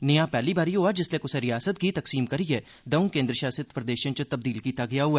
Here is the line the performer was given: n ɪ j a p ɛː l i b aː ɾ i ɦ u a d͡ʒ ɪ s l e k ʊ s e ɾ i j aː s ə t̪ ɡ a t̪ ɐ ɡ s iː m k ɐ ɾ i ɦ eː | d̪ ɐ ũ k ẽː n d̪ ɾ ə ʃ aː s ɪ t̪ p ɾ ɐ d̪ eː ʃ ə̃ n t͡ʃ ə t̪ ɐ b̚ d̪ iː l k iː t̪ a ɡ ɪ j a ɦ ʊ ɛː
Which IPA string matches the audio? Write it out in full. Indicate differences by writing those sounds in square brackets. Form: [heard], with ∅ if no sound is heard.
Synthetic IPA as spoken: n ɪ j a p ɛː l i b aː ɾ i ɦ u a d͡ʒ ɪ s l e k ʊ s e ɾ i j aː s ə t̪ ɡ [i] t̪ ɐ [k] s iː m k ɐ ɾ i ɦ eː | d̪ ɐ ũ k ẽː n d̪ ɾ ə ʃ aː s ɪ t̪ p ɾ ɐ d̪ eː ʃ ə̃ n t͡ʃ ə t̪ ɐ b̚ d̪ iː l k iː t̪ a ɡ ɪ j a ɦ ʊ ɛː